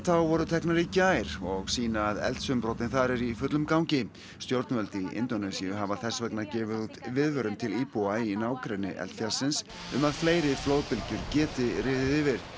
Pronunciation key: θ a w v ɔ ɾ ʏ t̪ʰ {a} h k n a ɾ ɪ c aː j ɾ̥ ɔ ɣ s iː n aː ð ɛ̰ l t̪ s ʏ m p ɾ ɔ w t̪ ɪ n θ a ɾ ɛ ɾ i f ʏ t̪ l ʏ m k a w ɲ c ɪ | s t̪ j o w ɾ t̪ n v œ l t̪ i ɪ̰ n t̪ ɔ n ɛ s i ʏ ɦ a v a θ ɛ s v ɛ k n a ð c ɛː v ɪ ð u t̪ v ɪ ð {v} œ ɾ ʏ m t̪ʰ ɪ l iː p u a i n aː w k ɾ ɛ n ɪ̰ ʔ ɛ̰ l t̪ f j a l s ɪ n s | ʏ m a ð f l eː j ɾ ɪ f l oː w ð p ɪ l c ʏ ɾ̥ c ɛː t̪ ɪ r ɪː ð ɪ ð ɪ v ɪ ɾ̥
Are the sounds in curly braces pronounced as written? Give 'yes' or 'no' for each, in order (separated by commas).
no, yes